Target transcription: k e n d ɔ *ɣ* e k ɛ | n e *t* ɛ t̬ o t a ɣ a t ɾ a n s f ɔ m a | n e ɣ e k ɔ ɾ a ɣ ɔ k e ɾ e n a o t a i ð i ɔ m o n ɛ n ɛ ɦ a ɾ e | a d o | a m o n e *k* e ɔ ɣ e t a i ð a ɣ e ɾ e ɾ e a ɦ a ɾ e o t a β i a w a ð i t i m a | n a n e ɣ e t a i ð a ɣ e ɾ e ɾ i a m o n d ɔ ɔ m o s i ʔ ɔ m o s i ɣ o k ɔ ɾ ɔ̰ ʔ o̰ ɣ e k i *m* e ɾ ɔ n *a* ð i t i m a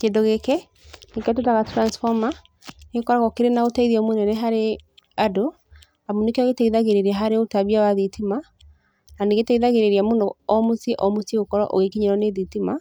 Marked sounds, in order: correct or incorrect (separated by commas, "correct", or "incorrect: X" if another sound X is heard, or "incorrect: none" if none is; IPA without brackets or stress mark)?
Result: correct, incorrect: k, correct, incorrect: ɲ, incorrect: e